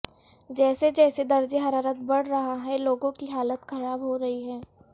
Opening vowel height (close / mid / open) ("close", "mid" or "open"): mid